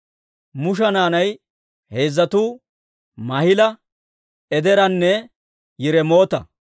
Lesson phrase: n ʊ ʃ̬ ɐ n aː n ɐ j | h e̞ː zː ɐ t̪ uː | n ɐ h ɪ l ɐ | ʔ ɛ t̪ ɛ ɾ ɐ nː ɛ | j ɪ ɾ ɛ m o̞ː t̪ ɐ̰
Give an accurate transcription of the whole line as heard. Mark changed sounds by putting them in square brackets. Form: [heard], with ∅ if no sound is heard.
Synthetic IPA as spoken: [m] ʊ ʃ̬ ɐ n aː n ɐ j | h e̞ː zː ɐ t̪ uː | [m] ɐ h ɪ l ɐ | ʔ ɛ [d̪] ɛ ɾ ɐ nː ɛ | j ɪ ɾ ɛ m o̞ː t̪ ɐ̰